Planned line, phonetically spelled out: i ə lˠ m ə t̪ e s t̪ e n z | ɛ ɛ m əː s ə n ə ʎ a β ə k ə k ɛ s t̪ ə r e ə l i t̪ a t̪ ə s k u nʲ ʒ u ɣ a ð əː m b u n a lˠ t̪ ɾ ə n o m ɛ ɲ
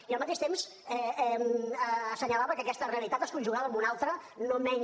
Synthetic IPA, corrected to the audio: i ə lˠ m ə t̪ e ʃ t̪ e m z | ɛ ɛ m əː s ə ɲ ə l a β ə k ə k ɛ s t̪ ə r e ə l i t̪ a t̪ ə s k u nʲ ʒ u ɣ a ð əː m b u n a lˠ t̪ ɾ ə n o m ɛ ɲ